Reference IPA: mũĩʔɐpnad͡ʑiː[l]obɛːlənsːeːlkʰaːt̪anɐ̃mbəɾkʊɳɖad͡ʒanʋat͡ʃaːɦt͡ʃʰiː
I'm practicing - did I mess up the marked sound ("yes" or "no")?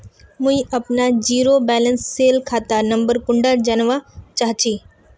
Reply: yes